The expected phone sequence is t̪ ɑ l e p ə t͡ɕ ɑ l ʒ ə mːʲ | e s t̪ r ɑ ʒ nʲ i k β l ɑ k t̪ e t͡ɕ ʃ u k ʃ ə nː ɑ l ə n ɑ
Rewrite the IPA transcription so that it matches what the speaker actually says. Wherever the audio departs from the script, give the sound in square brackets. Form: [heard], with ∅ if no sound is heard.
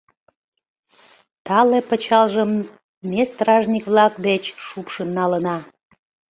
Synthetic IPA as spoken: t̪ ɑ l e p ə t͡ɕ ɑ l ʒ ə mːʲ | e s t̪ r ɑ ʒ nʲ i k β l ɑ k [d̪] e t͡ɕ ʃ u [p] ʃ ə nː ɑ l ə n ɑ